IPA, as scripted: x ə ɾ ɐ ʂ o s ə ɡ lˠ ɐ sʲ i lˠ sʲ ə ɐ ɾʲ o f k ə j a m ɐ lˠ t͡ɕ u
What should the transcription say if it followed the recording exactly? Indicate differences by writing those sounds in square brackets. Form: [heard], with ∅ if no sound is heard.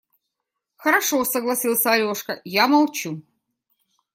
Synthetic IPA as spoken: x ə ɾ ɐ ʂ o s ə ɡ lˠ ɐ sʲ i lˠ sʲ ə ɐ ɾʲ o [ʂ] k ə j a m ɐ lˠ t͡ɕ u